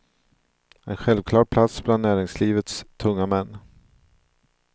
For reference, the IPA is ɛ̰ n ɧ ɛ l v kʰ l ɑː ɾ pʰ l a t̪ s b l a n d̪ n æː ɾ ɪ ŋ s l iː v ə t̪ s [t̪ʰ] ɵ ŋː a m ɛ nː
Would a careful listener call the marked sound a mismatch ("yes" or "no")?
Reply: no